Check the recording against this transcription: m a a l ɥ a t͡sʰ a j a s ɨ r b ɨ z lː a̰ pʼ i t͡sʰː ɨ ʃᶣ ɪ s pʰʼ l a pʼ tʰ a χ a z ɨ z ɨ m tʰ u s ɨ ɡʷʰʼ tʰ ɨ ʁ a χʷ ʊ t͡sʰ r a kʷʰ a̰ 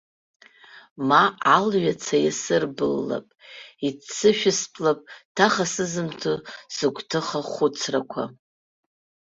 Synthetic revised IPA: m a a l ɥ a t͡sʰ a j a s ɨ r b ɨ lː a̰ pʼ i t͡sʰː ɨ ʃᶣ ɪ s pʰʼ l a pʼ tʰ a χ a s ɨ z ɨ m tʰ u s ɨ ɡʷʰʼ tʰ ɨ χ a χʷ ʊ t͡sʰ r a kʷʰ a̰

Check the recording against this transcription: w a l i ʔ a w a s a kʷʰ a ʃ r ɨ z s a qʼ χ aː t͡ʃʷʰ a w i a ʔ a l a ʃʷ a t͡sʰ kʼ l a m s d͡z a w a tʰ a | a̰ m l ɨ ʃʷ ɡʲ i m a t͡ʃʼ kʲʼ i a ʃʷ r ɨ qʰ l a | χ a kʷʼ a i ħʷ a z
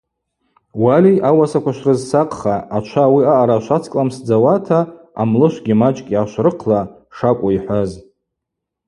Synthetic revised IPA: w a l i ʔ a w a s a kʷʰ a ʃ r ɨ z s a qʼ χ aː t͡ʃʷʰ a w i a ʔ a ɾ a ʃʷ a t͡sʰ kʼ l a m s d͡z a w a tʰ a | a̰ m l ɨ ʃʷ ɡʲ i m a t͡ʃʼ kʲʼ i a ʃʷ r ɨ qʰ l a | ʂ a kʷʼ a i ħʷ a z

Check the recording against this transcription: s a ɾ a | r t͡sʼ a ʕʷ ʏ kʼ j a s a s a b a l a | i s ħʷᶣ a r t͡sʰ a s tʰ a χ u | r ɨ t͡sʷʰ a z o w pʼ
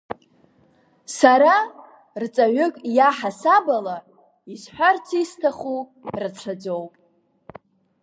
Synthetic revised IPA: s a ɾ a | r t͡sʼ a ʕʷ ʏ kʼ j a ħ a s a b a l a | i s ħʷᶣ a r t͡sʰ i s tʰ a χ u | r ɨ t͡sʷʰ a d͡z o w pʼ

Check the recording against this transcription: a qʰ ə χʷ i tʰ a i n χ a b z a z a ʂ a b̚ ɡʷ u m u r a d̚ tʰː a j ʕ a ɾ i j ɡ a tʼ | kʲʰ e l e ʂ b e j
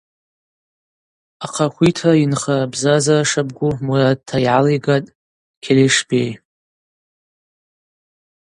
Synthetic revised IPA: a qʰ a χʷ i tʰ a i n χ a b z a z a ʂ a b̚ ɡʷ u m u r a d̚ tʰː a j ʕ a l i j ɡ a tʼ | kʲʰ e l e ʂ b e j

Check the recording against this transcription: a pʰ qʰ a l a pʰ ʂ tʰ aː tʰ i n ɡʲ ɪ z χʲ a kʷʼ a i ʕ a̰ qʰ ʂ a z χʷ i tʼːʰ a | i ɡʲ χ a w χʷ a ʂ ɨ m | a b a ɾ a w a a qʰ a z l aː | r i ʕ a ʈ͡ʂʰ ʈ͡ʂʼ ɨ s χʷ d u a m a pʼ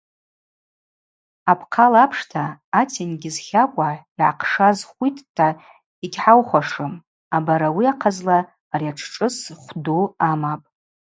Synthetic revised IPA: a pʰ qʰ a l a pʰ ʂ tʰ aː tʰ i n ɡʲ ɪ z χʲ a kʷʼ a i ʕ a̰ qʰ ʂ a z χʷ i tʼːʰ a | i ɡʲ ħ a w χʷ a ʂ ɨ m | a b a ɾ a w i a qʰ a z l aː | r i a ʈ͡ʂʰ ʈ͡ʂʼ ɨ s χʷ d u a m a pʼ

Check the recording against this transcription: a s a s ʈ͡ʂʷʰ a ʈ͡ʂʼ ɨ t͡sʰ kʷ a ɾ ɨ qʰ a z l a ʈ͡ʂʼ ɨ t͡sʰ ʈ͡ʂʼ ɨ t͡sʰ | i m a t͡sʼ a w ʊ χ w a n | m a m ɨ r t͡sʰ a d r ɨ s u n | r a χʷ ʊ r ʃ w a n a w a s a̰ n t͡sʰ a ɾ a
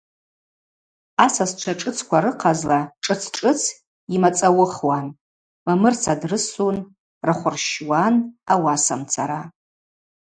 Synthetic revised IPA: a s a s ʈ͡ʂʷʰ a ʈ͡ʂʼ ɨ t͡sʰ kʷ a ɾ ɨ qʰ a z l a ʈ͡ʂʼ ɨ t͡sʰ ʈ͡ʂʼ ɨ t͡sʰ | i m a t͡sʼ a w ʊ χ w a n | m a m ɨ r t͡sʰ a d r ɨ s u n | r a χʷ ʊ r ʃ w a n a w a s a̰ m t͡sʰ a ɾ a

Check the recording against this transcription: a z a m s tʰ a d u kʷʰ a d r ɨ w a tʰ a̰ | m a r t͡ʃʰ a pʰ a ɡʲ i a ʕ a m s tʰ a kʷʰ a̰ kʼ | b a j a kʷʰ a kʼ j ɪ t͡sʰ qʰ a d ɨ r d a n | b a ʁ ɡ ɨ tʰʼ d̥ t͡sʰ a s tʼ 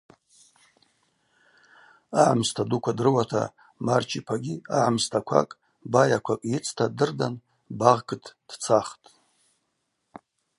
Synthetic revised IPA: a ʕ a m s tʰ a d u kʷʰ a d r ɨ w a tʰ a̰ | m a r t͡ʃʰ i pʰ a ɡʲ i a ʕ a m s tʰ a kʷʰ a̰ kʼ | b a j a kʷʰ a kʼ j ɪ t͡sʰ tʰ a d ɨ r d a n | b a ʁ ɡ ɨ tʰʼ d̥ t͡sʰ a χ tʼ

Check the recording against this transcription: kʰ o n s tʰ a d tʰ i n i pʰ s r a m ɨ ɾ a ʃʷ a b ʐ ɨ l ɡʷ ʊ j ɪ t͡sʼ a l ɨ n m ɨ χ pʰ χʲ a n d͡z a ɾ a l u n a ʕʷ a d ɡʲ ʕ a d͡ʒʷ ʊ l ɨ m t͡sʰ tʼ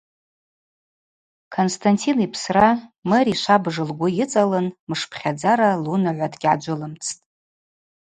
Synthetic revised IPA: kʰ o n s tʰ a n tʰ i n i pʰ s r a m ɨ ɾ i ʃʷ a b ʐ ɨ l ɡʷ ʊ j ɪ t͡sʼ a l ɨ n m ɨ ʂ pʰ χʲ a d͡z a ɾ a l u n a ʕʷ a d ɡʲ ʕ a d͡ʒʷ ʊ l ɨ m t͡sʰ tʼ

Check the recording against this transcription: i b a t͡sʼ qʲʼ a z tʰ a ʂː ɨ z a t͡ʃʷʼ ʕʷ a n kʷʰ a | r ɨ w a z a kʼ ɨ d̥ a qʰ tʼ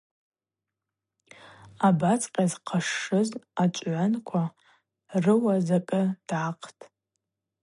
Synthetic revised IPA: a b a t͡sʼ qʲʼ a z qʰ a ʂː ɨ z a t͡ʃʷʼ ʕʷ a n kʷʰ a | r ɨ w a z a kʼ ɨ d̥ a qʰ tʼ

